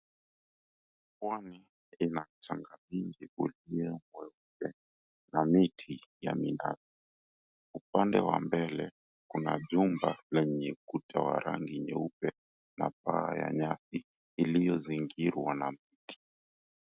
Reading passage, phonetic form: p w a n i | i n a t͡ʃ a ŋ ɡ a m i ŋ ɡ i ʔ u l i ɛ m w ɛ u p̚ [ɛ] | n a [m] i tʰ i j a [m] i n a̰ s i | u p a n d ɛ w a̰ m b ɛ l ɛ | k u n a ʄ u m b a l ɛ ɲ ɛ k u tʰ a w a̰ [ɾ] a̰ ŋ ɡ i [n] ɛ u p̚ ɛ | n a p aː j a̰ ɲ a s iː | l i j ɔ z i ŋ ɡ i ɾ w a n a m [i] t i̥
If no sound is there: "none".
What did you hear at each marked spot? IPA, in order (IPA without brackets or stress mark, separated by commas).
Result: ɛ, m, m, ɾ, ɲ, i